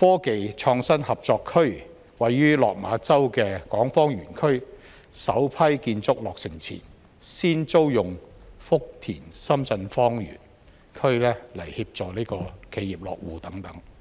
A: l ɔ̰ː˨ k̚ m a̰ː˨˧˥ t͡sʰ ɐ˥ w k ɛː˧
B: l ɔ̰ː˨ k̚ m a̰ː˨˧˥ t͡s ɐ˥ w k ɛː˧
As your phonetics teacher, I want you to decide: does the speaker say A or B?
B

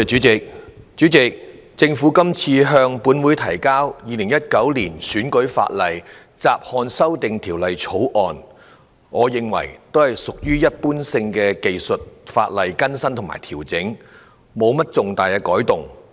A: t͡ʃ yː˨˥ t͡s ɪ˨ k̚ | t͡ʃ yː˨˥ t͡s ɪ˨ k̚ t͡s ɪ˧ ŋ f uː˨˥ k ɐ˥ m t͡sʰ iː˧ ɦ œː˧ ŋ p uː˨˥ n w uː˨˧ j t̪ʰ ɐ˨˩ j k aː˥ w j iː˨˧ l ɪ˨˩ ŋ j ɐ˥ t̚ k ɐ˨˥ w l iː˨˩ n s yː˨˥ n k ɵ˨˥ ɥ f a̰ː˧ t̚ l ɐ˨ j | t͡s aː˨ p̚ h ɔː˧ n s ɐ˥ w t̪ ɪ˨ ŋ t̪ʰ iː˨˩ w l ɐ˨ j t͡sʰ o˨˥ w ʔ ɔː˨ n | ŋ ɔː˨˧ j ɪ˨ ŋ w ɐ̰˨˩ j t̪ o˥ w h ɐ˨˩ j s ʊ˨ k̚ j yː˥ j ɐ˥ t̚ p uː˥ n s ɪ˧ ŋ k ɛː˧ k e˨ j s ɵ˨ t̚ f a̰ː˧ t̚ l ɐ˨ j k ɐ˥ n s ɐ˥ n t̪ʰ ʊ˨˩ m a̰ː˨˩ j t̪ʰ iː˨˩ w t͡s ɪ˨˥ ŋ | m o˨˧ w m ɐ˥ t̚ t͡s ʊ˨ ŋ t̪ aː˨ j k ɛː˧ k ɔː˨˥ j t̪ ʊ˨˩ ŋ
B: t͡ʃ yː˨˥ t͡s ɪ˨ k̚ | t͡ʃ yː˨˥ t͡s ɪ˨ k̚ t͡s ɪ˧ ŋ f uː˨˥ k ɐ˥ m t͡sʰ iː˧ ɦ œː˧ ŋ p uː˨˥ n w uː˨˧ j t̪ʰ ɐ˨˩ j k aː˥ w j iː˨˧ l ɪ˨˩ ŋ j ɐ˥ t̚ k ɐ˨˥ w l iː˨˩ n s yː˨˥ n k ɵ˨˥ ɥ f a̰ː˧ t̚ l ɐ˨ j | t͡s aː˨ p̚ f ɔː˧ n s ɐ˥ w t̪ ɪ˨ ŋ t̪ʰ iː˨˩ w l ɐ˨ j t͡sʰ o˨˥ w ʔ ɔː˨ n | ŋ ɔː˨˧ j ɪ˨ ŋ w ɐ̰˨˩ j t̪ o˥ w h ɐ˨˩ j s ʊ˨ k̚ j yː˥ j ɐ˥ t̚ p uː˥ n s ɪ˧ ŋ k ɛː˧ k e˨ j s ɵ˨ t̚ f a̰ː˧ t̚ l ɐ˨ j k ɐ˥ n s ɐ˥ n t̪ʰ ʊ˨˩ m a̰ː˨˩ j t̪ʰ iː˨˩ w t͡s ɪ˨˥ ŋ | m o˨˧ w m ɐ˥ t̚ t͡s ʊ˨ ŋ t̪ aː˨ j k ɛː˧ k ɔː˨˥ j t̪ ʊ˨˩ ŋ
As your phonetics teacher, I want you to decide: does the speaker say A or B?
A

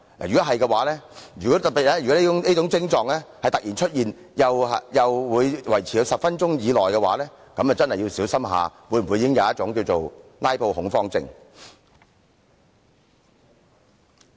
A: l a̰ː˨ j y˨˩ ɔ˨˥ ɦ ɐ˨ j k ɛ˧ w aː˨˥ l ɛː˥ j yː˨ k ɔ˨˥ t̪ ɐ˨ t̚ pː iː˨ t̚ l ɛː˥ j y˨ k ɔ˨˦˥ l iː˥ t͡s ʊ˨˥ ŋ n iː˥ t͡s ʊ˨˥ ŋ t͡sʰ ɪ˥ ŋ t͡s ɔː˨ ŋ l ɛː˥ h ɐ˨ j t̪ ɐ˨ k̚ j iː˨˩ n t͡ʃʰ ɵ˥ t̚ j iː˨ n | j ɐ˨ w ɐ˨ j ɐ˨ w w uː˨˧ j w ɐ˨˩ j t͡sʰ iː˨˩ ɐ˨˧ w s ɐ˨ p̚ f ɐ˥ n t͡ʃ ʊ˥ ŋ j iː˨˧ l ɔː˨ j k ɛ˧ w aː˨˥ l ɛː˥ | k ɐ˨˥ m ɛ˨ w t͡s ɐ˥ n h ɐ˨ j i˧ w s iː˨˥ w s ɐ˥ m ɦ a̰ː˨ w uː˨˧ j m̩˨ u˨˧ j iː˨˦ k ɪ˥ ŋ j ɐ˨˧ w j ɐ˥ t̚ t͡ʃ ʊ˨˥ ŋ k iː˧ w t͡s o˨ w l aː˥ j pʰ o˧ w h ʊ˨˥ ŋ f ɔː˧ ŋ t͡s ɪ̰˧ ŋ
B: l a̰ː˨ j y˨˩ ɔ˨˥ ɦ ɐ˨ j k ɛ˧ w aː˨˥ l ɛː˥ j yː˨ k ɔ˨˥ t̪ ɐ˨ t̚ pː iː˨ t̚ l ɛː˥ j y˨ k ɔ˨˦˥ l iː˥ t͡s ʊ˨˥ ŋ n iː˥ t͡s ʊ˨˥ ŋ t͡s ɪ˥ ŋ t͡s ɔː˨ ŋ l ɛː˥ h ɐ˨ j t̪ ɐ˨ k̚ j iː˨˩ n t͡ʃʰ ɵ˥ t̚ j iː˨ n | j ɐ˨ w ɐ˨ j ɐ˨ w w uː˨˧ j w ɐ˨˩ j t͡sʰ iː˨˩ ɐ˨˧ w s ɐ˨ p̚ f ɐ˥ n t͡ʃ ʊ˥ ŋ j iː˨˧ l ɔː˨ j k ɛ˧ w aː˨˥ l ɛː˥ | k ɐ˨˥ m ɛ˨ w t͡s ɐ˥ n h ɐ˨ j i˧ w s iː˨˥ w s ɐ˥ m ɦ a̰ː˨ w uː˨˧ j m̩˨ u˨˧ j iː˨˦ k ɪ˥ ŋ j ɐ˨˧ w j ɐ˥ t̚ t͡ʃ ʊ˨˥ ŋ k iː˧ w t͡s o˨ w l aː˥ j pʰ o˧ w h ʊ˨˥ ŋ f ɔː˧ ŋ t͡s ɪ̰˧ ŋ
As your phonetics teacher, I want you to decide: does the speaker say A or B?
B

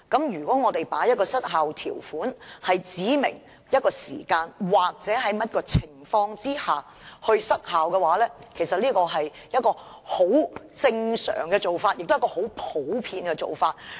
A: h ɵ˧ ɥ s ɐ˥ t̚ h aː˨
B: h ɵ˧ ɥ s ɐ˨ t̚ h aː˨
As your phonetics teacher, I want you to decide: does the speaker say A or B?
A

